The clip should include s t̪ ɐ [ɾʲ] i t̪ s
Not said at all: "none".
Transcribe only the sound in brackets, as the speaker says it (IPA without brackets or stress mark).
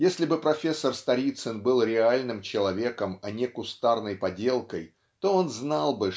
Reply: ɾʲ